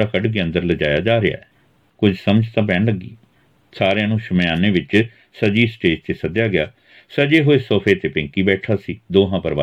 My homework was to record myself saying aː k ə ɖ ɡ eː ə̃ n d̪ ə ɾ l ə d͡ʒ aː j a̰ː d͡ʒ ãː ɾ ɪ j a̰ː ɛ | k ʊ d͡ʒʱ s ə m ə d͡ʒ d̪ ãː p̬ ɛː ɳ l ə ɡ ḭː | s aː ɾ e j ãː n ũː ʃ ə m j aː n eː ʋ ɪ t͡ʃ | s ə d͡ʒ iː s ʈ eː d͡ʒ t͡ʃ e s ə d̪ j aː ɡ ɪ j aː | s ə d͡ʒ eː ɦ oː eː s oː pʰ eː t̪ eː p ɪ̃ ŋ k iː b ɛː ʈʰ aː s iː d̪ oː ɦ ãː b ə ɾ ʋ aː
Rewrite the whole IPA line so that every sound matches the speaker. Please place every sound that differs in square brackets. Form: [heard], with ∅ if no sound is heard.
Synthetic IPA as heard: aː k ə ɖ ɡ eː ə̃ n d̪ ə ɾ l ə d͡ʒ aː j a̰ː d͡ʒ [aː] ɾ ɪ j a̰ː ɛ | k ʊ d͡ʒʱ s ə m ə d͡ʒ [t̪] ãː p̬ ɛː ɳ l ə ɡ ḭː | s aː ɾ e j ãː n ũː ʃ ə m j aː n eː ʋ ɪ t͡ʃ | s ə d͡ʒ iː s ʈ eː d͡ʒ t͡ʃ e s ə d̪ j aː ɡ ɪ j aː | s ə d͡ʒ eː ɦ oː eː s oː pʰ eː t̪ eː p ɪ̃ ŋ k iː b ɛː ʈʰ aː s iː d̪ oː ɦ ãː [p] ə ɾ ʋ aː